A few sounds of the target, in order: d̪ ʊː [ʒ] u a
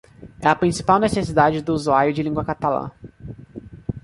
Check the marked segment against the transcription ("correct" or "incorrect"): incorrect